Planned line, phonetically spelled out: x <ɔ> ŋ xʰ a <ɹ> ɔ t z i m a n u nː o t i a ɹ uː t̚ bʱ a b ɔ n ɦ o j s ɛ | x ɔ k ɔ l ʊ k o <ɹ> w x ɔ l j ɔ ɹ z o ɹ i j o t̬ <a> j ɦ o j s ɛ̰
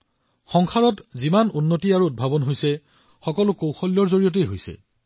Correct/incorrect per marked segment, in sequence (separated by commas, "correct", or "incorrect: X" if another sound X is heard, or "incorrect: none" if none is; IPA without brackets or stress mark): correct, correct, incorrect: none, incorrect: e